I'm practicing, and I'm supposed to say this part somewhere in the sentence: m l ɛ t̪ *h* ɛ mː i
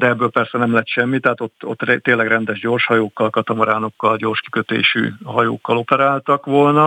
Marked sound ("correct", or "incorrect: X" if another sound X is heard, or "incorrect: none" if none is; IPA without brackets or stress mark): incorrect: ʃ